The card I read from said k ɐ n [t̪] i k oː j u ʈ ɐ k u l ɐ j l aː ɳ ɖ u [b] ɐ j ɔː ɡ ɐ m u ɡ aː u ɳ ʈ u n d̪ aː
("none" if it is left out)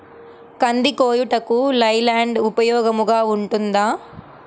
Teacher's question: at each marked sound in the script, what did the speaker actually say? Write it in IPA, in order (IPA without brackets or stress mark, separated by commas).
d̪, p